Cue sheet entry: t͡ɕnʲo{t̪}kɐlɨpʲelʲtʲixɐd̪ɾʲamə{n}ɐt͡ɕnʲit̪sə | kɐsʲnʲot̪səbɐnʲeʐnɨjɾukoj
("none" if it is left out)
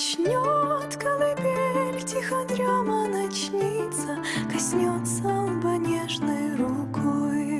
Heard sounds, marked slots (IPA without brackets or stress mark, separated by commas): t̪, n